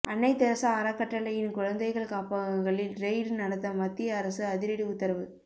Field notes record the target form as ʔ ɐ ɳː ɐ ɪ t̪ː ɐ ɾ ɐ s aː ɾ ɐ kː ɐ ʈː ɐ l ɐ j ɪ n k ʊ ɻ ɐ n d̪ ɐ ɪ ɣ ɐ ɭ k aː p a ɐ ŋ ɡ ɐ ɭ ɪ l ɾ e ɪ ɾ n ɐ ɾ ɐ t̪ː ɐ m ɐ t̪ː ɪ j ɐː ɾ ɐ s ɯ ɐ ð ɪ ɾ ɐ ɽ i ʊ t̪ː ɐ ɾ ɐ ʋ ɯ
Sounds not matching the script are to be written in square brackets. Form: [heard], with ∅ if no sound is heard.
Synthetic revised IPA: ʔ ɐ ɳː ɐ ɪ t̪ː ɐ ɾ ɐ s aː ɾ ɐ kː ɐ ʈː ɐ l ɐ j ɪ n k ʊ ɻ ɐ n d̪ ɐ ɪ ɣ ɐ ɭ k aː p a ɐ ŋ ɡ ɐ ɭ ɪ l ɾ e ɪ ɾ n ɐ [ɽ] ɐ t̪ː ɐ m ɐ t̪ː ɪ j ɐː ɾ ɐ s ɯ ɐ ð ɪ ɾ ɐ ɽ i ʊ t̪ː ɐ ɾ ɐ ʋ ɯ